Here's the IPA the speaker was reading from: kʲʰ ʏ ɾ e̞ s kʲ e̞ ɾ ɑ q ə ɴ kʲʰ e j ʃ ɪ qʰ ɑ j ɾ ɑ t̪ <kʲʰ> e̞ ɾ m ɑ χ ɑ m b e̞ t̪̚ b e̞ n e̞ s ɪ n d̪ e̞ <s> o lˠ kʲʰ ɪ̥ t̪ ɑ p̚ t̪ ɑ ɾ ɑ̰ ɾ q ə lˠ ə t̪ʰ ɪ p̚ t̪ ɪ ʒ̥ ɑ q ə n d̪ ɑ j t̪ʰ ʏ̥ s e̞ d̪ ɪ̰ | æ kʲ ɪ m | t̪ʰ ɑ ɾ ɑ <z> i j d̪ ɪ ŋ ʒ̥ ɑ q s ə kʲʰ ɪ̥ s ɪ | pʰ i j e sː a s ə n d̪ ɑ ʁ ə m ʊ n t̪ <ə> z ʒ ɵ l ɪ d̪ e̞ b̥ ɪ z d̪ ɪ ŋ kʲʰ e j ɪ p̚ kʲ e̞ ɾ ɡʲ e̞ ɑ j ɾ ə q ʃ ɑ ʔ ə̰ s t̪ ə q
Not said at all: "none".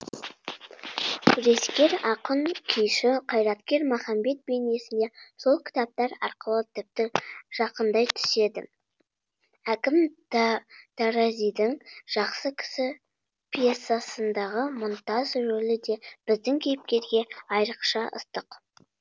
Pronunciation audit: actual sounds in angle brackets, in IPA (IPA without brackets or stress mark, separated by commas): kʲ, s, z, ɑ